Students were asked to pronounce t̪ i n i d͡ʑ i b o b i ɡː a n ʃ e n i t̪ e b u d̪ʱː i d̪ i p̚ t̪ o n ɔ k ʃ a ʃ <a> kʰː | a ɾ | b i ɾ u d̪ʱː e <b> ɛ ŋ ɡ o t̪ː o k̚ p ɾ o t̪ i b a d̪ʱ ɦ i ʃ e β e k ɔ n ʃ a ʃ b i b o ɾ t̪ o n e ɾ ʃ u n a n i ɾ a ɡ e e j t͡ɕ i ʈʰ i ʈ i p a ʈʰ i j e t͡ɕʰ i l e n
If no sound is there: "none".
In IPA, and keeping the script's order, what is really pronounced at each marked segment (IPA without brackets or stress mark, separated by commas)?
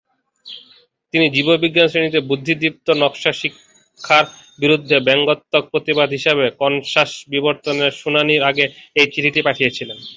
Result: i, b